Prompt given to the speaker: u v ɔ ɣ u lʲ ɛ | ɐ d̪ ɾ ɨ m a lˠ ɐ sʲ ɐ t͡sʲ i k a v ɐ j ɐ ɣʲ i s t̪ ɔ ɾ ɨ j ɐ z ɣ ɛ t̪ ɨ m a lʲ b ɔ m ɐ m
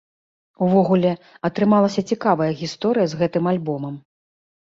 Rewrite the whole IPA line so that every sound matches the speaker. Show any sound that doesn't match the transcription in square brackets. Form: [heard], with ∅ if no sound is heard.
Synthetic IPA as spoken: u v ɔ ɣ u lʲ ɛ | ɐ [t̪] ɾ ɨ m a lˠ ɐ sʲ ɐ t͡sʲ i k a v ɐ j ɐ ɣʲ i s t̪ ɔ ɾ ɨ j ɐ z ɣ ɛ t̪ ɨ m a lʲ b ɔ m ɐ m